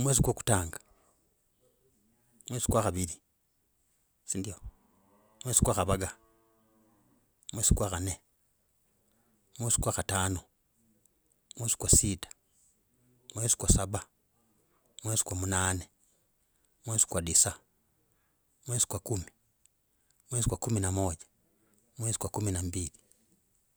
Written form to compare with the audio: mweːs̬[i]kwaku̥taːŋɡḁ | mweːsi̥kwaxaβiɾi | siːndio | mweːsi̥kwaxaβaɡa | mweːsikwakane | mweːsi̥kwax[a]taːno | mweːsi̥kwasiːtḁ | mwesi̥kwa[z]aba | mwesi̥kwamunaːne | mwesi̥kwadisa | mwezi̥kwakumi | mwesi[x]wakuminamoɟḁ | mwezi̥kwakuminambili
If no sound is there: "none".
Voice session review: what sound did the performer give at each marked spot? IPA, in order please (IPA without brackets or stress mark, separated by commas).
i, a, s, k